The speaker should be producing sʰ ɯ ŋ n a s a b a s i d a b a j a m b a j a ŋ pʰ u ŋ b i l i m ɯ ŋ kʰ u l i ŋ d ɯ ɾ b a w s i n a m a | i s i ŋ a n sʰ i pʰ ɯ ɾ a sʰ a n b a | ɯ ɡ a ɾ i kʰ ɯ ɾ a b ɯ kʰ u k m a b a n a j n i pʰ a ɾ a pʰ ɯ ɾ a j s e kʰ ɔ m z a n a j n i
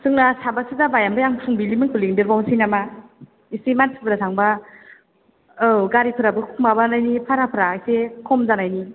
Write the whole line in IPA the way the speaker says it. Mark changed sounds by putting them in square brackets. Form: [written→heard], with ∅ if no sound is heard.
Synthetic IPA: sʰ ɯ ŋ n a s a b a s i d a b a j a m b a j a ŋ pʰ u ŋ b i l i m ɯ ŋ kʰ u l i ŋ d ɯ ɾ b a w s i n a m a | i s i [ŋ→m] a n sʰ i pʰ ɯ ɾ a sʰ a [n→ŋ] b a | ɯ ɡ a ɾ i [kʰ→pʰ] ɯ ɾ a b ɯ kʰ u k m a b a n a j n i pʰ a ɾ a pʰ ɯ ɾ a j s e kʰ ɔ m z a n a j n i